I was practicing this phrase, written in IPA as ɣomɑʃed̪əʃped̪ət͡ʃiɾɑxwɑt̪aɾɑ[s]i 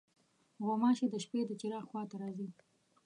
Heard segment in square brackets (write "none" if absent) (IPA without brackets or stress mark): z